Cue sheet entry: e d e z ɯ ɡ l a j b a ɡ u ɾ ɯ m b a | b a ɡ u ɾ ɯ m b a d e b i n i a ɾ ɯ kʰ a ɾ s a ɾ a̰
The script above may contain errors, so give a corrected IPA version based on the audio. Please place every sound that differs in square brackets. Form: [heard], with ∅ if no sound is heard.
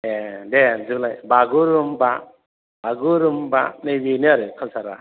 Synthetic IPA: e d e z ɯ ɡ l a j b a ɡ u ɾ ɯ m b a | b a ɡ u ɾ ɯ m b a [n] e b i n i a ɾ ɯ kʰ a [l] s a ɾ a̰